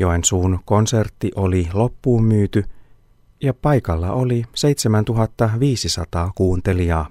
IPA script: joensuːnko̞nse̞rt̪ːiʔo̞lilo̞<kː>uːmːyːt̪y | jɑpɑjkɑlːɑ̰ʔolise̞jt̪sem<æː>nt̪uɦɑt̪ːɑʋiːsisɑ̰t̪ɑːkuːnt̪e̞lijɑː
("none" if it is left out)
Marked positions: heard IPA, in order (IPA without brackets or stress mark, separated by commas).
pː, æ